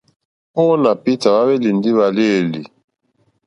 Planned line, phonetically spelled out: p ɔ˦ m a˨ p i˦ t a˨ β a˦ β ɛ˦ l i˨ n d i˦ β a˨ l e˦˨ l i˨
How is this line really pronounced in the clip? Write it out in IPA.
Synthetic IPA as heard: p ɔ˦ n a˨ p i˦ t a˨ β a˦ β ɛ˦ l i˨ n d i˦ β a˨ l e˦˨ l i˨